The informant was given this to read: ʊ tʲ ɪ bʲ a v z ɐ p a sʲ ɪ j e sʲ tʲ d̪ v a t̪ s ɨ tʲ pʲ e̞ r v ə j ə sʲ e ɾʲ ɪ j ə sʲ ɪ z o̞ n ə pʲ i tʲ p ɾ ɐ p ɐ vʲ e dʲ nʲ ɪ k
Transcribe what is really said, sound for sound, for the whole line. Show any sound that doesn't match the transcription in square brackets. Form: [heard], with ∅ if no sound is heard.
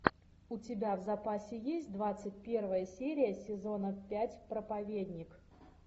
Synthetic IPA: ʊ tʲ ɪ bʲ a v z ɐ p a sʲ ɪ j e sʲ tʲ d̪ v a t̪ s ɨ tʲ pʲ e̞ r v ə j ə sʲ e ɾʲ ɪ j ə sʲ ɪ z o̞ n ə pʲ [æ] tʲ p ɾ [ə] p ɐ vʲ e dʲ nʲ ɪ k